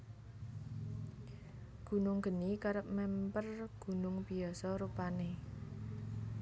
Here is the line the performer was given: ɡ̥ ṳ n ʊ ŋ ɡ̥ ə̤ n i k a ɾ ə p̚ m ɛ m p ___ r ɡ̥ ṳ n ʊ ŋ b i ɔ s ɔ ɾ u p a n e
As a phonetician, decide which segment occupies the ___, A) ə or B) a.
A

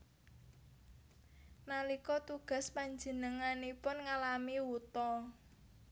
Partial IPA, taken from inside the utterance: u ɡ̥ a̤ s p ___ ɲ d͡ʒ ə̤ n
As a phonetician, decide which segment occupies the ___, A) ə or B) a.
B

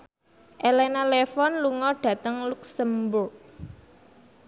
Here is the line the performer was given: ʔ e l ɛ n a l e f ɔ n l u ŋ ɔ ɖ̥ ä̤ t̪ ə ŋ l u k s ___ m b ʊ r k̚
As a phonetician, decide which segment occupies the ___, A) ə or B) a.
A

